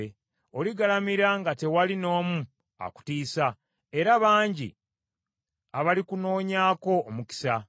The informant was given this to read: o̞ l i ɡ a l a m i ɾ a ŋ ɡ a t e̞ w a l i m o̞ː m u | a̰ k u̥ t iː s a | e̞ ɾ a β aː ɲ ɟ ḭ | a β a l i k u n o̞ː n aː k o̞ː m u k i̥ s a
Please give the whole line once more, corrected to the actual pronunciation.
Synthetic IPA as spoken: o̞ l i ɡ a l a m i ɾ a ŋ ɡ a t e̞ w a l i n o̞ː m u | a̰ k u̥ t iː s a | e̞ ɾ a β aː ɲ ɟ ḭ | a β a l i k u n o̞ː ɲ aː k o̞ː m u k i̥ s a